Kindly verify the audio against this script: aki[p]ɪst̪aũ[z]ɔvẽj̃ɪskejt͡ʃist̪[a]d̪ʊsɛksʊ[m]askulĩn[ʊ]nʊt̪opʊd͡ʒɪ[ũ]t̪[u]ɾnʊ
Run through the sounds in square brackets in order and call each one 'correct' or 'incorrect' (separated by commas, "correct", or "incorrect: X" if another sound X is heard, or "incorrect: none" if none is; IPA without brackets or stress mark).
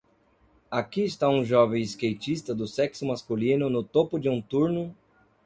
incorrect: none, incorrect: ʒ, incorrect: ɐ, correct, correct, correct, correct